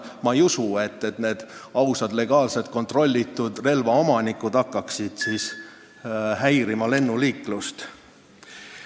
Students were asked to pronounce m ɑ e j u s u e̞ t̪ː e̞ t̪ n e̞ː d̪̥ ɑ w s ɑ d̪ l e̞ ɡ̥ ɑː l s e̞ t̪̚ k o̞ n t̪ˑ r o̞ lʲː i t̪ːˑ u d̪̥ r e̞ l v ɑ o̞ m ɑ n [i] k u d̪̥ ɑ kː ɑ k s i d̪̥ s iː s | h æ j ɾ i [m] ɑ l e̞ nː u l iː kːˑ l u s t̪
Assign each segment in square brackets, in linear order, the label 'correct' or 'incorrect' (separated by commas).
correct, correct